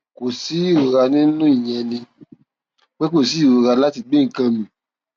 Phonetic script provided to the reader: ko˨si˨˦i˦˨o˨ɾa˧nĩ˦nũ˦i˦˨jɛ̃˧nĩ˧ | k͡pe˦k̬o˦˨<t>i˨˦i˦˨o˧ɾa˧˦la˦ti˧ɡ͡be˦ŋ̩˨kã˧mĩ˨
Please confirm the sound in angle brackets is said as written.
no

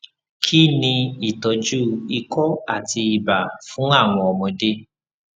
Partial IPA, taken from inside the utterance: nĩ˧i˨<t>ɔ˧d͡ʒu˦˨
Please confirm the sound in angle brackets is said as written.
yes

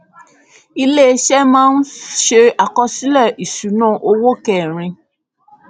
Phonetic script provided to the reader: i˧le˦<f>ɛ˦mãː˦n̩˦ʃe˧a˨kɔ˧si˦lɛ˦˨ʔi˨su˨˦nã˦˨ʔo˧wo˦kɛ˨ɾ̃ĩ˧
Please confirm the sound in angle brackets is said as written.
no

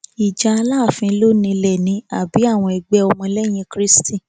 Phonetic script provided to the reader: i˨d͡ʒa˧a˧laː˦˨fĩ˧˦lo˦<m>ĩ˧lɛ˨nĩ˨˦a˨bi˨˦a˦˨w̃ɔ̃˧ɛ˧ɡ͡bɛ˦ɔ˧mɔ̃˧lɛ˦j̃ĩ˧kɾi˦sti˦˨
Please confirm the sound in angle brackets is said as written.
no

